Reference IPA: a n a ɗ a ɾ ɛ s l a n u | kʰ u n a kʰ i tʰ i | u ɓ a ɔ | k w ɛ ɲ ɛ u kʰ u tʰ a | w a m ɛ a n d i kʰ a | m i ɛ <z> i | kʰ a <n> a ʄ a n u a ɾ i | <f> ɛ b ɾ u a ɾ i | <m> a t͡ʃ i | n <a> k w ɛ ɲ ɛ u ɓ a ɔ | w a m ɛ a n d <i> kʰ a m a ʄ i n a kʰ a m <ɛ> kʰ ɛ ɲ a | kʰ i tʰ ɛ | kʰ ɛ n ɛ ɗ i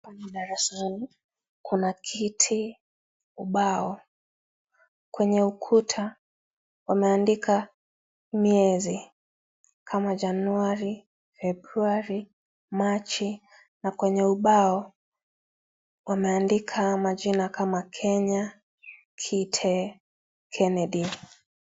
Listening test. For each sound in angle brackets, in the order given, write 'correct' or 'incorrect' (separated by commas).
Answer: correct, incorrect, correct, correct, correct, correct, incorrect